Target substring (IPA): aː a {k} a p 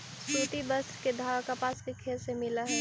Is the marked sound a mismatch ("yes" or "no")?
no